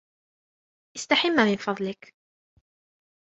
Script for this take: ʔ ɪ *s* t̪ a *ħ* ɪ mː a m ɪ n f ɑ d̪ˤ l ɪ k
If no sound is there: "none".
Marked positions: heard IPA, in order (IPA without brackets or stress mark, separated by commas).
s, ħ